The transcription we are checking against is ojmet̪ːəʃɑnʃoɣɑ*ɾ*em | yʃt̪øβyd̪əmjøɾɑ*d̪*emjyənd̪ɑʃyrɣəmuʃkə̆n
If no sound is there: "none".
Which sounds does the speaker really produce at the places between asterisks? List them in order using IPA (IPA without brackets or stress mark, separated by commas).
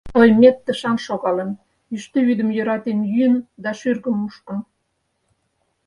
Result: l, t̪